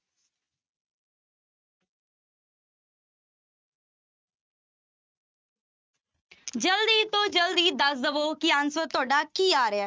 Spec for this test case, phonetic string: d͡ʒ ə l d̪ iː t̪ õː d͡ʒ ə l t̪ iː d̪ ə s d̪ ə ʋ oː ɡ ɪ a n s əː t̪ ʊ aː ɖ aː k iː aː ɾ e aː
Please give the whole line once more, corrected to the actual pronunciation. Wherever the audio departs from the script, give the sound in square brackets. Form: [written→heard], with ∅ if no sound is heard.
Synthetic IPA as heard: d͡ʒ ə l d̪ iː t̪ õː d͡ʒ ə l [t̪→d̪] iː d̪ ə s d̪ ə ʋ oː [ɡ→k] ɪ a n s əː t̪ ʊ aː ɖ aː k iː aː ɾ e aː